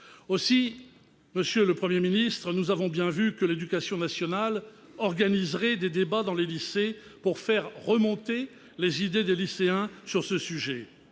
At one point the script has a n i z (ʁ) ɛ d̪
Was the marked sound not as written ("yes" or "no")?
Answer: no